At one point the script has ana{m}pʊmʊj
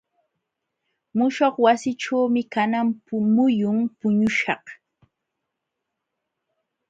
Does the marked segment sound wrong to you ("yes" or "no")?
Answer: no